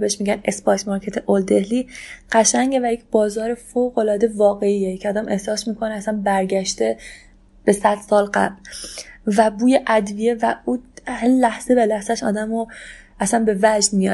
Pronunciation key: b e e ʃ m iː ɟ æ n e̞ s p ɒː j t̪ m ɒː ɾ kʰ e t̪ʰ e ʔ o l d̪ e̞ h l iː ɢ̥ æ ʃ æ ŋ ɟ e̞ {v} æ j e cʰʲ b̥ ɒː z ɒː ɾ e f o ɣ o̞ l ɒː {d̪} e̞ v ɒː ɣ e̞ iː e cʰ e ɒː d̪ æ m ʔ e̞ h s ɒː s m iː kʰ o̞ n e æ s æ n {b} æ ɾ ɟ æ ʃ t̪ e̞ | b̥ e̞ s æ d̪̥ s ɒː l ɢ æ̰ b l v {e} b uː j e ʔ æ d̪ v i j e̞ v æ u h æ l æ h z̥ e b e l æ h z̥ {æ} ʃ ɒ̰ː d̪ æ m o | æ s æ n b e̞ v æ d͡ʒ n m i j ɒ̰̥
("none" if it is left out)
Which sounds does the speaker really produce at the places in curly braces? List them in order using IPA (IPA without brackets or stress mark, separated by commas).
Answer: v, d̪, b, æ, æ